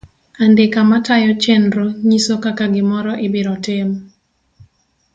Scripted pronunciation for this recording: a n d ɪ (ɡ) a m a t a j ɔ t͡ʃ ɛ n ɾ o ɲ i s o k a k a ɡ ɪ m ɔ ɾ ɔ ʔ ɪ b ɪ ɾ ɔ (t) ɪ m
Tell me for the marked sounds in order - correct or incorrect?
incorrect: k, correct

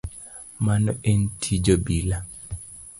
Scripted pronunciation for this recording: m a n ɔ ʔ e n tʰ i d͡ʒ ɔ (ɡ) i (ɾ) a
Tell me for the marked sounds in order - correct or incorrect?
incorrect: b, incorrect: l

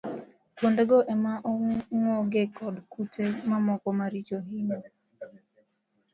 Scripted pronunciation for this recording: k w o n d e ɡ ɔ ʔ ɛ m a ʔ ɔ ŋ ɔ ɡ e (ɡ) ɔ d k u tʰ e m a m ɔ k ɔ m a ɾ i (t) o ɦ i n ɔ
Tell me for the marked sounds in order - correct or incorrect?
incorrect: k, incorrect: t͡ʃ

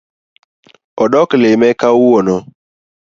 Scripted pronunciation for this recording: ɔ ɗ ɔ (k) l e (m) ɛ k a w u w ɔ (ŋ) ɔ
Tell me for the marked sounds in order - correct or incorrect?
correct, correct, incorrect: n

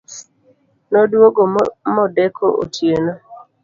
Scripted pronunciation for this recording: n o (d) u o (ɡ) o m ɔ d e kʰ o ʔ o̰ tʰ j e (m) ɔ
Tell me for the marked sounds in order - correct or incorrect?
correct, correct, incorrect: n

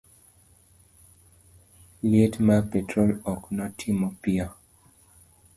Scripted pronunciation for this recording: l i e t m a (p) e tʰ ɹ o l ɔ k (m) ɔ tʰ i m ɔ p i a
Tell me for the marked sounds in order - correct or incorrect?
correct, incorrect: n

